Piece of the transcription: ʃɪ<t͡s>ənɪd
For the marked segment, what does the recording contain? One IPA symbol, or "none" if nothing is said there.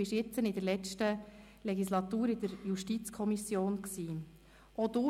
t͡s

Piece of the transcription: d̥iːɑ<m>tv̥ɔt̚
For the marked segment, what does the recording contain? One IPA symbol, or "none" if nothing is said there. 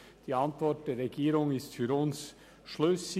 n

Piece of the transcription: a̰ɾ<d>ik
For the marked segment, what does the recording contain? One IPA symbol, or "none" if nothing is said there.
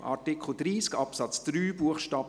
t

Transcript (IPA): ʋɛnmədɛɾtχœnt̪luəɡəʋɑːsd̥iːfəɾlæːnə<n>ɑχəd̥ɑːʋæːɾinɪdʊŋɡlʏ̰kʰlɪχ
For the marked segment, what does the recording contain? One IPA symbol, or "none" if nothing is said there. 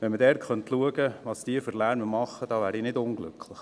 m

